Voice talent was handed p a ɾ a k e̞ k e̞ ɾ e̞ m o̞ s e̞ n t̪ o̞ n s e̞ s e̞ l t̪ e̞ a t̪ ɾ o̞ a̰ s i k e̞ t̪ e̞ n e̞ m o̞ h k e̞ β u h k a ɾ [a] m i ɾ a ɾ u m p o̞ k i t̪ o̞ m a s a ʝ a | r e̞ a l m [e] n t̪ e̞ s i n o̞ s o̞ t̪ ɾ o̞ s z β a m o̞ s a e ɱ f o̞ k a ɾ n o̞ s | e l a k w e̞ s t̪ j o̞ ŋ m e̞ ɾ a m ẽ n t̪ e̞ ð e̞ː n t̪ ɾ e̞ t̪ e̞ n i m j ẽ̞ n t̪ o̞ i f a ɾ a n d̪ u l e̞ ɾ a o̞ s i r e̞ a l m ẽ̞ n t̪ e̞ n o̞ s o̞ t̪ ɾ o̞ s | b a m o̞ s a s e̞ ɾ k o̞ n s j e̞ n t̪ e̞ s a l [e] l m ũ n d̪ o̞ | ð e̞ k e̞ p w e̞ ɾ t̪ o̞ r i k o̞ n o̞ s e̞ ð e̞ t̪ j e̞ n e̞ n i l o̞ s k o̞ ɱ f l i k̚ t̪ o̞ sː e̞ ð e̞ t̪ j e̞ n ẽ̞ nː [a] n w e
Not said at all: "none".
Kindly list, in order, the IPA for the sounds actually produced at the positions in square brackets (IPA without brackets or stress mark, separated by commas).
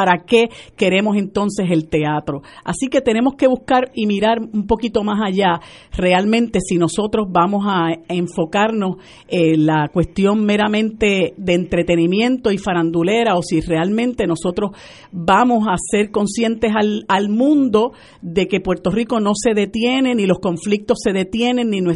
i, ẽ, a, i